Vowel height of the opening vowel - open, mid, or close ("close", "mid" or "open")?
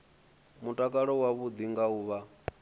close